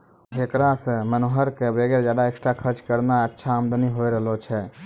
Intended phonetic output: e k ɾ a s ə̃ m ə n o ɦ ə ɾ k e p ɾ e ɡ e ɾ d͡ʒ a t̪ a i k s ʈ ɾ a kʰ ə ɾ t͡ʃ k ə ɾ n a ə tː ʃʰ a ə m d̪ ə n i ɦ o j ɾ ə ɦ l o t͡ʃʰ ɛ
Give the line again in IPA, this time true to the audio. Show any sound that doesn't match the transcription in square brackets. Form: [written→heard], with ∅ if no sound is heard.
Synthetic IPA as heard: e k ɾ a s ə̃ m ə n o ɦ ə ɾ k e [p→b] ɾ e ɡ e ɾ d͡ʒ a [t̪→d̪] a [i→e] k s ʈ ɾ a kʰ ə ɾ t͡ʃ k ə ɾ n a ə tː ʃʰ a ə m d̪ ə n i ɦ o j ɾ ə ɦ l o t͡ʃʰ ɛ